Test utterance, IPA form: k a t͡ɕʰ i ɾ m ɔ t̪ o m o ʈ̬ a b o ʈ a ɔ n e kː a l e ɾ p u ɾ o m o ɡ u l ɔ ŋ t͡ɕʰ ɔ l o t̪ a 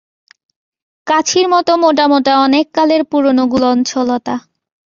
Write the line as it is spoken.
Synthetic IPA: k a t͡ɕʰ i ɾ m ɔ t̪ o m o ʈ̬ a m o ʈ a ɔ n e kː a l e ɾ p u ɾ o n o ɡ u l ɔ n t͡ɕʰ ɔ l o t̪ a